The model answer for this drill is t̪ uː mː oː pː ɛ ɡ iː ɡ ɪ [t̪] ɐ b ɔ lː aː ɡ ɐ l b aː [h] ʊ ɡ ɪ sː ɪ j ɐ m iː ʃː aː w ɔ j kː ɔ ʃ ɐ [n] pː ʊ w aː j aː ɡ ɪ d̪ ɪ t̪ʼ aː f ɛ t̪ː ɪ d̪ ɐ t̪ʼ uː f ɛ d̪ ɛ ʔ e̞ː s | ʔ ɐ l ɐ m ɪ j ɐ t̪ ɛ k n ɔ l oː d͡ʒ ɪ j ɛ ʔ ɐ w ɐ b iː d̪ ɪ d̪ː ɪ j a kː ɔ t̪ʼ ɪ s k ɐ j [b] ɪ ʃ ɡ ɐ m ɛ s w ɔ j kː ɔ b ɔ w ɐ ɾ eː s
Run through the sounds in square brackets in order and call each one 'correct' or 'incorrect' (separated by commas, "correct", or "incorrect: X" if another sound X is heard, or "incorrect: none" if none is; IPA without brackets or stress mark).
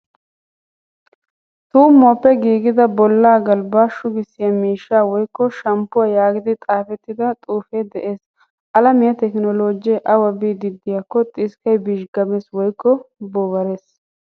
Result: incorrect: d̪, incorrect: ʃ, incorrect: m, correct